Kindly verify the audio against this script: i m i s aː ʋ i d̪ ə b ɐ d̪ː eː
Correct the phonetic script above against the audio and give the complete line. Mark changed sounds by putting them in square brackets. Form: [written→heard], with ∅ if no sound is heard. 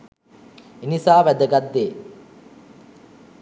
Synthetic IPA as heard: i [m→n] i s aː ʋ [i→æ] d̪ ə [b→ɡ] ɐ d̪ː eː